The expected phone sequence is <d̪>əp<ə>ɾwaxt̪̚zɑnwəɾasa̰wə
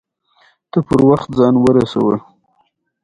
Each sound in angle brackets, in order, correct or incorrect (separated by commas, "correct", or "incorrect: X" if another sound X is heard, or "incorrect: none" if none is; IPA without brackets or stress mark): incorrect: t̪, correct